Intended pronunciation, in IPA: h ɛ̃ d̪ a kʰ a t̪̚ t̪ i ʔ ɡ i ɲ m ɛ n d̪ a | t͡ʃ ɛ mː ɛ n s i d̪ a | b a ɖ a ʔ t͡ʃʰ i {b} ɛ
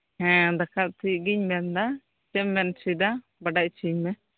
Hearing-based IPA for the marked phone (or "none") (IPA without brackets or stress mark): m